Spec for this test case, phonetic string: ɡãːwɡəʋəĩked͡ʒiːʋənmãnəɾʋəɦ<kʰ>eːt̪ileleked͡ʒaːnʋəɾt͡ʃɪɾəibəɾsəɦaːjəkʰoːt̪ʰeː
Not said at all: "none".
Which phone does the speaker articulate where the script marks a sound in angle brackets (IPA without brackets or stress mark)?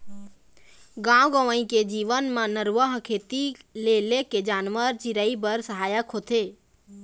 kʰ